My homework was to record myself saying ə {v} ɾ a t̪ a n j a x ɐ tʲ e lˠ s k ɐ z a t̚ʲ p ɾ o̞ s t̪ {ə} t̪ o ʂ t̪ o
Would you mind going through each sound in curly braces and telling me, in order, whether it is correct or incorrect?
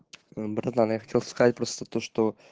incorrect: b, correct

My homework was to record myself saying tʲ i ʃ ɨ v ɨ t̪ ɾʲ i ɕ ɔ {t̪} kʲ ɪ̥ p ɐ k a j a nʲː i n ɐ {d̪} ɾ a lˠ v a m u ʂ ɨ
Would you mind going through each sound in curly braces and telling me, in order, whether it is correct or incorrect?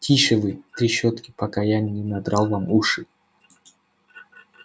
correct, correct

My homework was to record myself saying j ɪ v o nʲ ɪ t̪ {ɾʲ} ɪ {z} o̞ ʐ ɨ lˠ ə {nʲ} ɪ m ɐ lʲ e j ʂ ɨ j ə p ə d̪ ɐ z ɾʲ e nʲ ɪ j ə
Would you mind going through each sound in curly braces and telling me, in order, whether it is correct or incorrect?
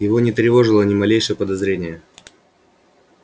correct, incorrect: v, correct

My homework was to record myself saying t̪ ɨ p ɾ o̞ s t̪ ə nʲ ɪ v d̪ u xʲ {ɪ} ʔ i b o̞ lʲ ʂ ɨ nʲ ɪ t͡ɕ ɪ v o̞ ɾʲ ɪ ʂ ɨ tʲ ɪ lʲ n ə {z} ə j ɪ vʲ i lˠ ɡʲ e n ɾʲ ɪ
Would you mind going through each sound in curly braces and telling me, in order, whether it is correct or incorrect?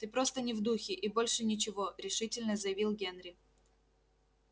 correct, correct

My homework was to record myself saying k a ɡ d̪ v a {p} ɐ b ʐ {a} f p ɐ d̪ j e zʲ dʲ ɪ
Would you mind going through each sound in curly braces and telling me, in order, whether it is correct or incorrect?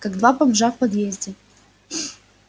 correct, correct

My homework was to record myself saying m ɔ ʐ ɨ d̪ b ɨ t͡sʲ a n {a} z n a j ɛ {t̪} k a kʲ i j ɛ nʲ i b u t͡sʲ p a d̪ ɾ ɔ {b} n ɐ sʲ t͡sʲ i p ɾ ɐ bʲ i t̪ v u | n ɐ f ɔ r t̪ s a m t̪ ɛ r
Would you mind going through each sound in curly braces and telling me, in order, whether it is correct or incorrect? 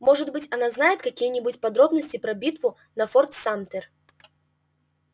correct, correct, correct

